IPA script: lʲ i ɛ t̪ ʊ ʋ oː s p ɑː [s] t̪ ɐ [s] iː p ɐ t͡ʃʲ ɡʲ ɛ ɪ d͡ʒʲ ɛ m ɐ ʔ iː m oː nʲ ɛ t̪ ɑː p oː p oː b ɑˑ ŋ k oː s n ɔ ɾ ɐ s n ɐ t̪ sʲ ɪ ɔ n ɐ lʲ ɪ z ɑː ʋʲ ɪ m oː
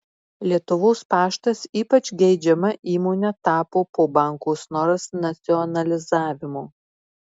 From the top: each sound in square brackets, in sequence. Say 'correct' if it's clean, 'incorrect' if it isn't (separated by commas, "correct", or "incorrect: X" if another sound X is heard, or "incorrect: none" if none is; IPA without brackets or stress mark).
incorrect: ʃ, correct